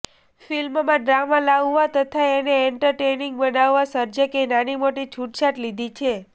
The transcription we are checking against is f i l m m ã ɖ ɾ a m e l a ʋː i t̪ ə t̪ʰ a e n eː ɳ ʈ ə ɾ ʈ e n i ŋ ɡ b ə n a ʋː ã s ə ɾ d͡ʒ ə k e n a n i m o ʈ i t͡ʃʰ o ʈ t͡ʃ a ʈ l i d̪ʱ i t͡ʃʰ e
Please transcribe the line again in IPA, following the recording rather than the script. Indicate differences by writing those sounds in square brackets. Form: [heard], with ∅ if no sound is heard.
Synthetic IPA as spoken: f i l m m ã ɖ ɾ a m [a] l a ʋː [a] t̪ ə t̪ʰ a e n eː ɳ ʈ ə ɾ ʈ e n i ŋ ɡ b ə n a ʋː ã s ə ɾ d͡ʒ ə k e n a n i m o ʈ i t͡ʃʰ [u] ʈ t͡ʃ a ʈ l i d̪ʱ i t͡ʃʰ e